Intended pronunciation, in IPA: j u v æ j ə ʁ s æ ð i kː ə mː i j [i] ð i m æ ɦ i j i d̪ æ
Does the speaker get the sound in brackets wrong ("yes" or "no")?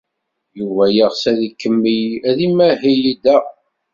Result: yes